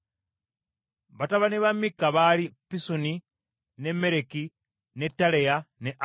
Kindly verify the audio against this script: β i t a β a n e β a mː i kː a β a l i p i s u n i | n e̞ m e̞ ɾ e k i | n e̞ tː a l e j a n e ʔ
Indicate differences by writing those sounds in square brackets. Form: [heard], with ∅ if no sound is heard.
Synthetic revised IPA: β [a] t a β a n e β a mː i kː a β a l i p i s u n i | n e̞ m e̞ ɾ e k i | n e̞ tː a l e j a n e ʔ